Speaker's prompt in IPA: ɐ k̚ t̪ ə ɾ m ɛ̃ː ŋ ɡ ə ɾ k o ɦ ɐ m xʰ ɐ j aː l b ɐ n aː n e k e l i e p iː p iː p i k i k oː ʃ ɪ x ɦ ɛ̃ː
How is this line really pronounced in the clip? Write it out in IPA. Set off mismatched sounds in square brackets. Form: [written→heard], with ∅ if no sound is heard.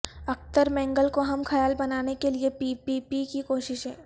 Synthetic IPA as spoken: ɐ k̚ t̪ ə ɾ m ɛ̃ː ŋ ɡ ə [ɾ→l] k o ɦ ɐ m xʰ ɐ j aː l b ɐ n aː n e k e l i e p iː p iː p i k i k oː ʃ ɪ [x→ʃ] ɦ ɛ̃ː